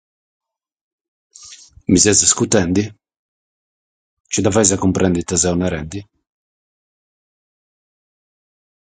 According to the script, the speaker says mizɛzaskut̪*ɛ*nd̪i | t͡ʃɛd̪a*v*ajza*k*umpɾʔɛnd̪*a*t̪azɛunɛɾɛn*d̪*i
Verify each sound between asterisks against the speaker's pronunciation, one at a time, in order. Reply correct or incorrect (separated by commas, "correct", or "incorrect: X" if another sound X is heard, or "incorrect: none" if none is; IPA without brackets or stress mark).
correct, correct, correct, incorrect: i, correct